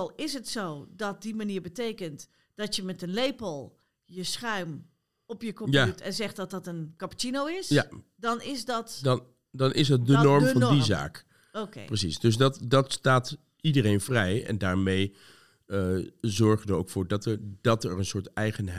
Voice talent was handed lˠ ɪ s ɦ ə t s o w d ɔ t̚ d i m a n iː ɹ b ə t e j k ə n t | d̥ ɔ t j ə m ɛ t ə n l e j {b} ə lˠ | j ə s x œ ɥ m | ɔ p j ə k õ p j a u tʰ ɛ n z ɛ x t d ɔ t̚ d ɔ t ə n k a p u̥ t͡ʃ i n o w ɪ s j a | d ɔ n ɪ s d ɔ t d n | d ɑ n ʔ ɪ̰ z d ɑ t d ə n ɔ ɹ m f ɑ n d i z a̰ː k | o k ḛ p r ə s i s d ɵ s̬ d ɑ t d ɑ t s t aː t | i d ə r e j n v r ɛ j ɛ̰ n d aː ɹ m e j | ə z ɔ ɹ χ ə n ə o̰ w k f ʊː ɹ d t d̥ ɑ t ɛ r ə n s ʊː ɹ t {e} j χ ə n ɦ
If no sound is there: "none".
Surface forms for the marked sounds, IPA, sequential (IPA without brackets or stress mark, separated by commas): p, ɛ